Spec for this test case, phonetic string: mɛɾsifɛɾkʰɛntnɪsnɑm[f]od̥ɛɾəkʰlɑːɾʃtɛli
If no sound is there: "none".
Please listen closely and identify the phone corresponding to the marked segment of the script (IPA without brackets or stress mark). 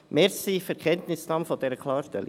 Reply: f